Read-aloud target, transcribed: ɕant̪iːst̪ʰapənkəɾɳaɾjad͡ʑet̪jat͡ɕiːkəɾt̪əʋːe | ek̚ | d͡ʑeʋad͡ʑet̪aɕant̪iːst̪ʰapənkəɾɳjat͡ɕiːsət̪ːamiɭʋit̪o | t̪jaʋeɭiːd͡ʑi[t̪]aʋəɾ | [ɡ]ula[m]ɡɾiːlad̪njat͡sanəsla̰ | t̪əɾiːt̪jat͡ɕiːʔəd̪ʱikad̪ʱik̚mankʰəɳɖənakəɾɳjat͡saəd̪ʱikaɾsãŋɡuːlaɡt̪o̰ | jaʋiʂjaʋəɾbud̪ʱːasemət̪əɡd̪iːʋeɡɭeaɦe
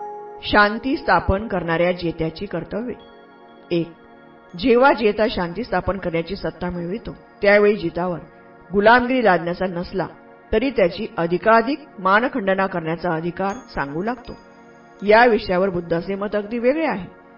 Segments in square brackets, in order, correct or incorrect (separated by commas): correct, correct, correct